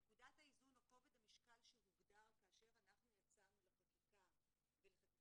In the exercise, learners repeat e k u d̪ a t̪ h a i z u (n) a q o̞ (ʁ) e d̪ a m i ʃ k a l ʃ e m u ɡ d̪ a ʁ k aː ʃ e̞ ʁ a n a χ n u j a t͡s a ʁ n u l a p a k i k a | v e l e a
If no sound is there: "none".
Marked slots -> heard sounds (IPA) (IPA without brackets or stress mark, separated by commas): n, v